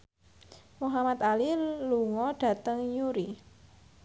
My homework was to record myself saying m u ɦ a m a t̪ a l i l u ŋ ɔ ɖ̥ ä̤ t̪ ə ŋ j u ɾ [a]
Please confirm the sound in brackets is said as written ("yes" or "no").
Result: no